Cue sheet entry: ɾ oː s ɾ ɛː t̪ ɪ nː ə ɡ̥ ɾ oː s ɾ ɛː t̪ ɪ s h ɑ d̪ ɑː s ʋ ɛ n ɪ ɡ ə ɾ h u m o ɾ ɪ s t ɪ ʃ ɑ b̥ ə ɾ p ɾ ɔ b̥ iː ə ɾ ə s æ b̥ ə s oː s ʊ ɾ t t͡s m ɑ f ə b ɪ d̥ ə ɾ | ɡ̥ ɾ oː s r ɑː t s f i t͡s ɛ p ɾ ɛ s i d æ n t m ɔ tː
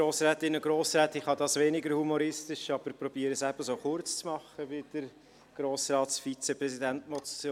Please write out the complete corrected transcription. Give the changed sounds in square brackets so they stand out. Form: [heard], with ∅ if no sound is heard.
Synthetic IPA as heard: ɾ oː s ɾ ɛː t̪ ɪ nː ə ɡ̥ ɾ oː s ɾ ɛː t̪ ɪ [χ] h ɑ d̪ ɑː s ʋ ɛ n ɪ ɡ ə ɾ h u m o ɾ ɪ s t ɪ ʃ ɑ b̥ ə ɾ p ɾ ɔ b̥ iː ə ɾ ə s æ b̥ ə s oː [χ] ʊ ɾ [t͡s] t͡s m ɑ [χ] ə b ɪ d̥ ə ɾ | ɡ̥ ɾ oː s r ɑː t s f i t͡s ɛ p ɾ ɛ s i d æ n t m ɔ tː

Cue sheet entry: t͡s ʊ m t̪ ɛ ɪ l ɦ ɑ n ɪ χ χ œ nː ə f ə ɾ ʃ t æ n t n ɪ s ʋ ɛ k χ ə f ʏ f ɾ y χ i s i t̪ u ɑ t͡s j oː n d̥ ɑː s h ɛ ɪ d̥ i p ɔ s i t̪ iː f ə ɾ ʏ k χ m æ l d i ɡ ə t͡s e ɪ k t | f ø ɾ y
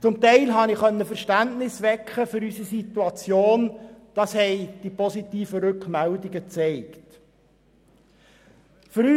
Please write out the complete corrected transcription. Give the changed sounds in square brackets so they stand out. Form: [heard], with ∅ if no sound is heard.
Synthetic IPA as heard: t͡s ʊ m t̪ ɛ ɪ l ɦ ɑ n ɪ χ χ œ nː ə f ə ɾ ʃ t æ n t n ɪ s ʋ ɛ k χ ə f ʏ [∅] ɾ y [s] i s i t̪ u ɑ t͡s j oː n d̥ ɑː s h ɛ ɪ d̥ i p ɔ s i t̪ iː f ə ɾ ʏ k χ m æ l d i ɡ ə t͡s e ɪ k t | f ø ɾ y

